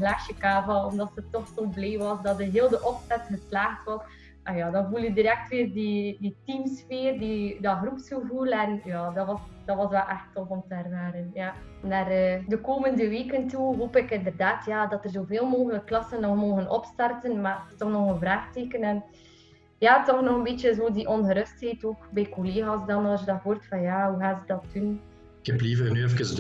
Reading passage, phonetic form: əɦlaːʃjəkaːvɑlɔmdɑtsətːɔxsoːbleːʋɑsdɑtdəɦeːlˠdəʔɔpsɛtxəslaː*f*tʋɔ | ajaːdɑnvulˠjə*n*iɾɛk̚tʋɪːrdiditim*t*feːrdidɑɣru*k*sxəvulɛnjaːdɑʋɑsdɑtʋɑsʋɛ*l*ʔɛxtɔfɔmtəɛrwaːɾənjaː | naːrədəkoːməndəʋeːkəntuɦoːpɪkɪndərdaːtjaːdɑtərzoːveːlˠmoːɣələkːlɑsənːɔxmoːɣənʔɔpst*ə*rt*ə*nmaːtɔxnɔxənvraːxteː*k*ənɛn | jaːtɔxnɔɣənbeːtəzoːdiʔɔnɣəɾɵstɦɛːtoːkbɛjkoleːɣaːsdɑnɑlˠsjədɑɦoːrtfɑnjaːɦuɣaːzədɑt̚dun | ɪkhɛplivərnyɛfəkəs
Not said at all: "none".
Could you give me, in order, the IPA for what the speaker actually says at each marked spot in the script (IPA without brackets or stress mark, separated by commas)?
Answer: x, d, s, p, l, ɑ, ə, k